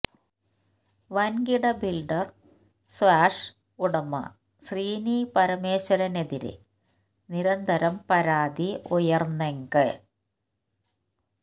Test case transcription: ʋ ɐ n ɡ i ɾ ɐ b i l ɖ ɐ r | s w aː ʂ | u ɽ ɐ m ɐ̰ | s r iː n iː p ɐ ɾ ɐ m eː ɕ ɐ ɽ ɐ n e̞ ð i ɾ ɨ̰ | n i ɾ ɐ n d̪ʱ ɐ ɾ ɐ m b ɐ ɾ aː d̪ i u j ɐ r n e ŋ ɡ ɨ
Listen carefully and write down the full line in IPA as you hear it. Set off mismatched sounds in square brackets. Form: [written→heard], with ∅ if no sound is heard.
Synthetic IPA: ʋ ɐ n ɡ i [ɾ→ɽ] ɐ b i l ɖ ɐ r | s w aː ʂ | u ɽ ɐ m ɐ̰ | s r iː n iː p ɐ ɾ ɐ m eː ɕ ɐ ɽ ɐ n e̞ ð i ɾ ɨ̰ | n i ɾ ɐ n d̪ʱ ɐ ɾ ɐ m [b→p] ɐ ɾ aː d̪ i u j ɐ r n e ŋ ɡ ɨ